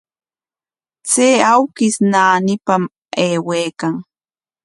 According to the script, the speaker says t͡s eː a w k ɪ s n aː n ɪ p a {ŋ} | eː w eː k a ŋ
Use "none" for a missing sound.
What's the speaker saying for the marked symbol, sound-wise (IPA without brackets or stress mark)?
m